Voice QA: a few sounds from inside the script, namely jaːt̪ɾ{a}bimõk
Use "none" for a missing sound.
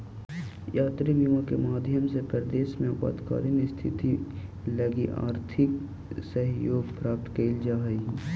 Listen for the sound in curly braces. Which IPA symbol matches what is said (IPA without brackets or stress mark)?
i